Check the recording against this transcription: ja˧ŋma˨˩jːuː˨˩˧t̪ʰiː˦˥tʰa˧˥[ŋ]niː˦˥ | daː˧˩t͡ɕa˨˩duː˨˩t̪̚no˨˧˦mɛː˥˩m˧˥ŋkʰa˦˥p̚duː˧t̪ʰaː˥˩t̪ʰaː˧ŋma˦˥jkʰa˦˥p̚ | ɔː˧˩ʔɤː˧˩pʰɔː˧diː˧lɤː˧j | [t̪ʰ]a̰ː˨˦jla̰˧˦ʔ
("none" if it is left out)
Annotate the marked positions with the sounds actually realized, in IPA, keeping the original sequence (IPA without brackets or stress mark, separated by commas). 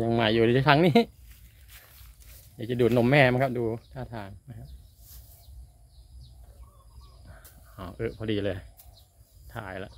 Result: ŋ, t̪ʰ